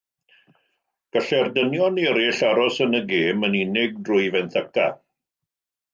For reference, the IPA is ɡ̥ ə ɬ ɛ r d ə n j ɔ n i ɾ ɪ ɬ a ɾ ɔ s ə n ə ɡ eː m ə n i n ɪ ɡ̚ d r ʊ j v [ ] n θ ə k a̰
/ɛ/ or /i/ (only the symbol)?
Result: ɛ